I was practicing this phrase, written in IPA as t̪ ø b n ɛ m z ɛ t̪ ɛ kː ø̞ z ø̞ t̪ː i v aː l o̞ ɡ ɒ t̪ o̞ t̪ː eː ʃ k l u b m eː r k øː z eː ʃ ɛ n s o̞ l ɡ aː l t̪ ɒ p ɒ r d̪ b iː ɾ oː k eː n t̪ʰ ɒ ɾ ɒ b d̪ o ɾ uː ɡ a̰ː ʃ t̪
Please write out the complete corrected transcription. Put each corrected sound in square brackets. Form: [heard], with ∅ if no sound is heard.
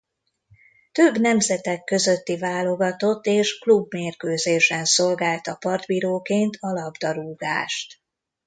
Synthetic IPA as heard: t̪ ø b n ɛ m z ɛ t̪ ɛ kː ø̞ z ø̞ t̪ː i v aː l o̞ ɡ ɒ t̪ o̞ t̪ː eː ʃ k l u b m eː r k øː z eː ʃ ɛ n s o̞ l ɡ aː l t̪ ɒ p ɒ r d̪ b iː ɾ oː k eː n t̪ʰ ɒ [l] ɒ b d̪ [ɒ] ɾ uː ɡ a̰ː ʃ t̪